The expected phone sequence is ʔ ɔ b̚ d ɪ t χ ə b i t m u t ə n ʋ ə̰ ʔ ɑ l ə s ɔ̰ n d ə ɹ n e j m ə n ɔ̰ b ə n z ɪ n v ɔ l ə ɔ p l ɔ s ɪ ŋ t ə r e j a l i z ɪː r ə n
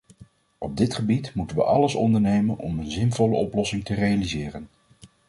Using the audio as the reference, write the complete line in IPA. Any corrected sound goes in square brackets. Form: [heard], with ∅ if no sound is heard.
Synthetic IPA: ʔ ɔ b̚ d ɪ t χ ə b i t m u t ə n ʋ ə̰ ʔ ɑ l ə s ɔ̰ n d ə ɹ n e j m ə n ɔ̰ [m] ə n z ɪ n v ɔ l ə ɔ p l ɔ s ɪ ŋ t ə r e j a l i z ɪː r ə n